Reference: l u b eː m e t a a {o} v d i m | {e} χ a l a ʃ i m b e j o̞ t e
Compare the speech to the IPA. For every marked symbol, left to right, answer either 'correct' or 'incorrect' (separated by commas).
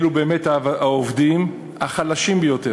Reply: correct, incorrect